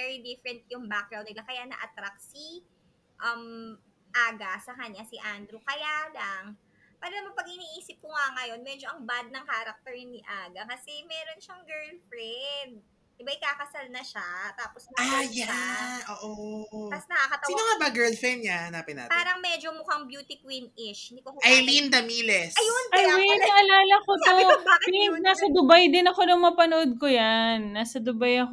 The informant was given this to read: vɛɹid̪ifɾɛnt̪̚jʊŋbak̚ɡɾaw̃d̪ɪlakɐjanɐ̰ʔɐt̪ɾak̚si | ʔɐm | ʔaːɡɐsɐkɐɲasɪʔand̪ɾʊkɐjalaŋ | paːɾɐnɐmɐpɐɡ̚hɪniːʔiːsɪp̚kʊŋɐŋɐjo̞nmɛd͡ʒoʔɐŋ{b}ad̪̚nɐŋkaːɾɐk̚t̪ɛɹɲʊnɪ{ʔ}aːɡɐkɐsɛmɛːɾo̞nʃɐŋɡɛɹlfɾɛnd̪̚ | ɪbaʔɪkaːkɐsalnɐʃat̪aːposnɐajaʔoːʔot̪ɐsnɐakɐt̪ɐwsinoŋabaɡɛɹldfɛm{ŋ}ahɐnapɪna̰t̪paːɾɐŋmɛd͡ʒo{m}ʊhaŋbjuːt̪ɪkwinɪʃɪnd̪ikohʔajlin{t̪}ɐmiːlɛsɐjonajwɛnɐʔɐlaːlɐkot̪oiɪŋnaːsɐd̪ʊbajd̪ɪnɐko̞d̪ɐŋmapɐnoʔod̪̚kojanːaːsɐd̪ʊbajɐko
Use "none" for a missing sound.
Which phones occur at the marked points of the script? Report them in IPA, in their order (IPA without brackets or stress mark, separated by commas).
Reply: b, ʔ, ɲ, m, d̪